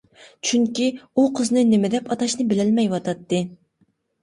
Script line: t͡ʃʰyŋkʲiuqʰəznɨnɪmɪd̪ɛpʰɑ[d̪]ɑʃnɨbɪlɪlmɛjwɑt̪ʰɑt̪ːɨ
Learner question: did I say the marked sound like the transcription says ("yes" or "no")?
no